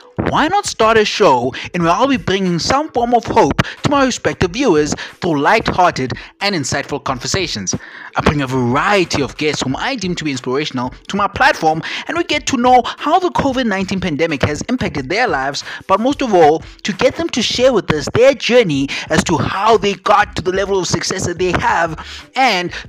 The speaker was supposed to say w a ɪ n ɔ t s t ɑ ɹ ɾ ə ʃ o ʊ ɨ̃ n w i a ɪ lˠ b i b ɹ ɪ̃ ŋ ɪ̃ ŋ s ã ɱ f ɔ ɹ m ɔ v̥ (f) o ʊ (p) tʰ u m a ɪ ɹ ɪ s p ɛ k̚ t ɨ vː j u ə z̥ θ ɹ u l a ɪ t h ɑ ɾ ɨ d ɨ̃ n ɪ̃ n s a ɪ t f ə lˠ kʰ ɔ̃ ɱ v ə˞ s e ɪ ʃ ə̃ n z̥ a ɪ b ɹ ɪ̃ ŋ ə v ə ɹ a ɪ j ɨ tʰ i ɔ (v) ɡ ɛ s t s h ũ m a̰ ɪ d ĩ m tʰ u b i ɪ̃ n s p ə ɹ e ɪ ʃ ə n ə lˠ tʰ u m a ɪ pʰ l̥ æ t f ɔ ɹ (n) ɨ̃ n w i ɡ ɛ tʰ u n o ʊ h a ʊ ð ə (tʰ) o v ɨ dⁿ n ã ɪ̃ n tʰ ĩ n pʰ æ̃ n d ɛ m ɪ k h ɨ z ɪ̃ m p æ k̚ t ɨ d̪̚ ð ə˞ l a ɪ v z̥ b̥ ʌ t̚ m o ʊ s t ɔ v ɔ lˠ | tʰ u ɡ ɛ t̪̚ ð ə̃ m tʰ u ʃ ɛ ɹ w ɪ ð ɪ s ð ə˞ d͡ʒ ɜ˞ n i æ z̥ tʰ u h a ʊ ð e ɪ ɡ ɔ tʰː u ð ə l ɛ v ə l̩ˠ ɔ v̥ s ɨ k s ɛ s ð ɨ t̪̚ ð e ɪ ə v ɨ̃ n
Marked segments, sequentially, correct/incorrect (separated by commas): incorrect, correct, correct, incorrect, incorrect